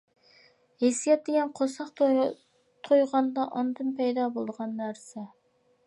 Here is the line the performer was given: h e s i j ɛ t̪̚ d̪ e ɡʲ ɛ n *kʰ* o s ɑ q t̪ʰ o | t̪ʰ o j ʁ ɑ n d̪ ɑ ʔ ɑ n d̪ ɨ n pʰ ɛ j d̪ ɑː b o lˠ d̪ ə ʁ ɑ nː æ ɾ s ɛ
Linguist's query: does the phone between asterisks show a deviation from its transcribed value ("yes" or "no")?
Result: yes